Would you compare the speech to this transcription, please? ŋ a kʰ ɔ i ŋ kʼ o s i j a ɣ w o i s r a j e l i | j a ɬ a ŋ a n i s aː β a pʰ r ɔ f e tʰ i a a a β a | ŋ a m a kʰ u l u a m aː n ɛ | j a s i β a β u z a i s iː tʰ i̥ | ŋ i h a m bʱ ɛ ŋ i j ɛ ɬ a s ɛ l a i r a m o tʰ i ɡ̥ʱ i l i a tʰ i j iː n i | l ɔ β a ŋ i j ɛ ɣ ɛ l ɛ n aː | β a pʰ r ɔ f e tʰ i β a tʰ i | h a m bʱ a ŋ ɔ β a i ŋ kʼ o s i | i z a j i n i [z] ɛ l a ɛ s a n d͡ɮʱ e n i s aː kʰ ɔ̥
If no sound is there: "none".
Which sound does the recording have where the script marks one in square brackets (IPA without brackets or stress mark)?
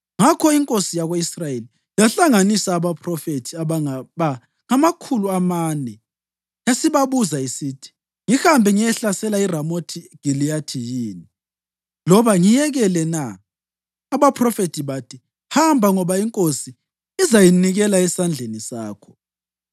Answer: ɣ